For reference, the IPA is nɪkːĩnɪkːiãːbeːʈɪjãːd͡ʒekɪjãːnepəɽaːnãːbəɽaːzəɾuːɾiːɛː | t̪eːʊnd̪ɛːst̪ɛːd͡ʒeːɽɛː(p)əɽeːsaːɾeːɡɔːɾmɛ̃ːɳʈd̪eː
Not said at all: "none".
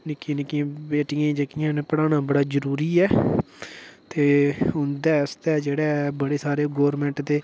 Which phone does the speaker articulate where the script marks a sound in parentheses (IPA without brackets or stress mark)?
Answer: b